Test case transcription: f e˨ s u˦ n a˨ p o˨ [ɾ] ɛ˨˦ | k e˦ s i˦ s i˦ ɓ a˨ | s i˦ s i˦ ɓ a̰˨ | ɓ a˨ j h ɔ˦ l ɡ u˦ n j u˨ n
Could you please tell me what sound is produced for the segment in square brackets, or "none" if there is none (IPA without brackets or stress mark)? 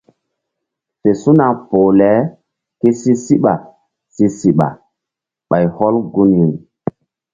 l